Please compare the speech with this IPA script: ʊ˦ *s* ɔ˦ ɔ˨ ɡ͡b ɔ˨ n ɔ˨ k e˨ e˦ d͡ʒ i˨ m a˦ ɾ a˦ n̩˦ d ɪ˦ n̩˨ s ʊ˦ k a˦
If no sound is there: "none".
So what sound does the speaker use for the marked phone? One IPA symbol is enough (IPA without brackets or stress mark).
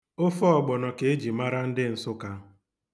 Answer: f